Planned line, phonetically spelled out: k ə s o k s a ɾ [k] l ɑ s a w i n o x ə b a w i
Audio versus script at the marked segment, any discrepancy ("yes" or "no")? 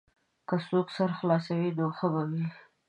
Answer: yes